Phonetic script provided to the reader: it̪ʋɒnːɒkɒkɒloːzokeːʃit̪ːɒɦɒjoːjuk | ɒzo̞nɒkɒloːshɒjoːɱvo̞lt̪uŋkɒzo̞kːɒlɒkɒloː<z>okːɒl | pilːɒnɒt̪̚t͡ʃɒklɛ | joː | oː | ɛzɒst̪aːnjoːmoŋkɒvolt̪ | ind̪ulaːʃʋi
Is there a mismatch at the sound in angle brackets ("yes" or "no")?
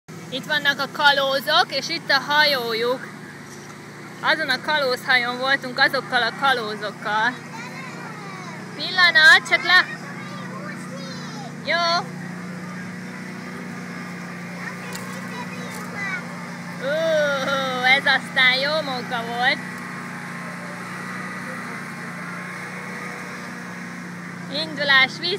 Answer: no